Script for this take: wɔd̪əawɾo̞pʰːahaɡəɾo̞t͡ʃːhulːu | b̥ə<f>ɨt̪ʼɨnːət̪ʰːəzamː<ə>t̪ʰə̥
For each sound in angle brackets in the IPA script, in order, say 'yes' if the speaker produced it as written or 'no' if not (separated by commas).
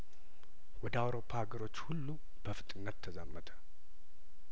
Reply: yes, yes